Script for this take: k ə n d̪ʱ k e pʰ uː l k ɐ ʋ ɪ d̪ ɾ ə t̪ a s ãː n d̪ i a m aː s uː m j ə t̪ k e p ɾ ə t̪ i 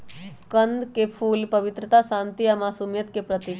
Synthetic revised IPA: k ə n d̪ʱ k e pʰ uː l p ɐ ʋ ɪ t̪ ɾ ə t̪ a s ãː n t̪ i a m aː s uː m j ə t̪ k e p ɾ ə t̪ i

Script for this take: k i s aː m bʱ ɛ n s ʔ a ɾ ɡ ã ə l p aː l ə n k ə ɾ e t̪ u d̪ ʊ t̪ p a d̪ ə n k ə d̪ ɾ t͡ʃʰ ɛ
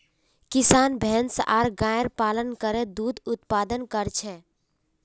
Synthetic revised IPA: k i s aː n bʱ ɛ n s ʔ a ɾ ɡ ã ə ɾ p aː l ə n k ə ɾ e d̪ u d̪ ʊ t̪ p a d̪ ə n k ə ɾ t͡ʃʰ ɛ

